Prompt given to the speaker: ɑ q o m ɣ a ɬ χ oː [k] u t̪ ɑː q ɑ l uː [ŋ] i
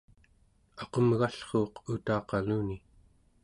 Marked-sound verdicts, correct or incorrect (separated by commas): incorrect, incorrect